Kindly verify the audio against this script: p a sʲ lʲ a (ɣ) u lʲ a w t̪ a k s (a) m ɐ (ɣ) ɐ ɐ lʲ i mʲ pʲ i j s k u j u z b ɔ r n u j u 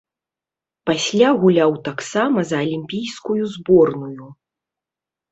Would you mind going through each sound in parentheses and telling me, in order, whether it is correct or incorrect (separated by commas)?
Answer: correct, correct, incorrect